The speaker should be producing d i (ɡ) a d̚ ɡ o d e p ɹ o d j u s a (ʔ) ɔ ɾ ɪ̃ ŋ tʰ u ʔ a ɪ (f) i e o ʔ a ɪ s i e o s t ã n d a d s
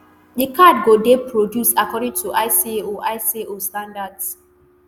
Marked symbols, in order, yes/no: no, no, no

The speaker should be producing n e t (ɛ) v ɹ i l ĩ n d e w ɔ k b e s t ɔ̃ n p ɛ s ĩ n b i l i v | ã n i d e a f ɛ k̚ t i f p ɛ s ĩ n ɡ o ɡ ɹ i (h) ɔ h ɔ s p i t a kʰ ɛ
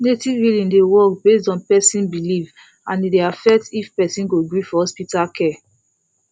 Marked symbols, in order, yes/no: no, no

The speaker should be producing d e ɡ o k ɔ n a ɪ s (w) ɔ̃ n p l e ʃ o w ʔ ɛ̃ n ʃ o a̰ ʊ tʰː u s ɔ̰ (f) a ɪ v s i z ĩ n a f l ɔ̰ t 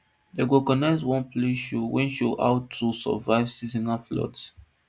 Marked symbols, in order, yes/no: yes, no

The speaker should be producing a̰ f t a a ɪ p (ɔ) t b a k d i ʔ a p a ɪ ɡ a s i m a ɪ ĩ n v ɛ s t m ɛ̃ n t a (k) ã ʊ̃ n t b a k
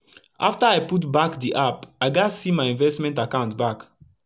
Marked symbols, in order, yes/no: no, yes

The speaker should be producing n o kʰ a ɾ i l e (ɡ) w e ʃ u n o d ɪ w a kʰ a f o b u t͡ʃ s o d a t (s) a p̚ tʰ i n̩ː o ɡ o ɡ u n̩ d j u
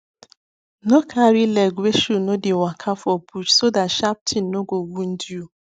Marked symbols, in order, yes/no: yes, no

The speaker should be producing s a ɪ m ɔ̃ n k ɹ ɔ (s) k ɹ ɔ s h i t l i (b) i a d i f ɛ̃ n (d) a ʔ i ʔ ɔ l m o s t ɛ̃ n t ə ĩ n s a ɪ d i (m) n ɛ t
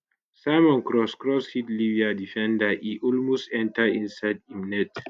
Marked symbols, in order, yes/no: yes, no, yes, yes

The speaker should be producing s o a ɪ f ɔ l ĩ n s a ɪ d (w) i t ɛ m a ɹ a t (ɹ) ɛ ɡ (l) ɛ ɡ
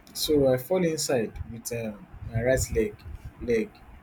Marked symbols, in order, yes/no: yes, no, yes

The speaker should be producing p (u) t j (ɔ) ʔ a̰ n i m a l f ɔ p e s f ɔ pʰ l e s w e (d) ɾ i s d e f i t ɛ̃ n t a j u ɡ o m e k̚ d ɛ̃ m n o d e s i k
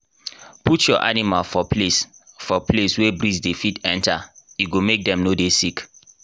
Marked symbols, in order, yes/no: yes, yes, no

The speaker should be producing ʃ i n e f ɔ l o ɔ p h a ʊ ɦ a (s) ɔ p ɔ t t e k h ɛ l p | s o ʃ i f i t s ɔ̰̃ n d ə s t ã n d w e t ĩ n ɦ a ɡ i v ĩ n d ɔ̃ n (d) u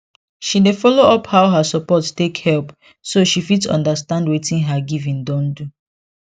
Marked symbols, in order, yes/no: yes, yes

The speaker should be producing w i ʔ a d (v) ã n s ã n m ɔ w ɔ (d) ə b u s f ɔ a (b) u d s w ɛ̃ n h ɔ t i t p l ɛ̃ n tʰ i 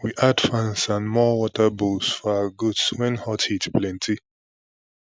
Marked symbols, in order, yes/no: no, no, no

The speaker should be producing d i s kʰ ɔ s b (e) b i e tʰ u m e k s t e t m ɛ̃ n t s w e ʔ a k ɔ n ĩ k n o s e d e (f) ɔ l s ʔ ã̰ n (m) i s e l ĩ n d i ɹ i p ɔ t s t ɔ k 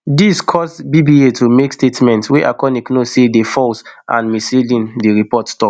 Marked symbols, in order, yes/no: no, yes, yes

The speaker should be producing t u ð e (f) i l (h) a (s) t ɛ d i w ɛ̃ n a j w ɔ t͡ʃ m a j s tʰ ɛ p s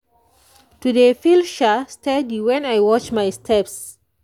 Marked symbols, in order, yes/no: yes, no, yes

